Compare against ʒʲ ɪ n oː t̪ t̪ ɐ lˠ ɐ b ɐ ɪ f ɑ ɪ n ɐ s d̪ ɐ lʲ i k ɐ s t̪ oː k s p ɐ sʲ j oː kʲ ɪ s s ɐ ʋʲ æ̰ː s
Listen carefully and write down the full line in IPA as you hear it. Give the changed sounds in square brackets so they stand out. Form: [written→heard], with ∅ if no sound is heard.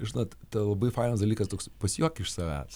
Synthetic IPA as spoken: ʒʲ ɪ n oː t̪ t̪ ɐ lˠ ɐ b ɐ ɪ f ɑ ɪ n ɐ s d̪ ɐ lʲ i k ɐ s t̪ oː k s p ɐ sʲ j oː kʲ ɪ [s→ʃ] s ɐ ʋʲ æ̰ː s